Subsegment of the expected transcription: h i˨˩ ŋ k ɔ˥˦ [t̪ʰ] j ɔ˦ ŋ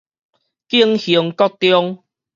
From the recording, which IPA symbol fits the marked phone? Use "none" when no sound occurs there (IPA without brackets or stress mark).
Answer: t̪